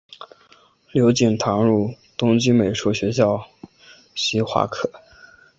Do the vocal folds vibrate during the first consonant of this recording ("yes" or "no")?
yes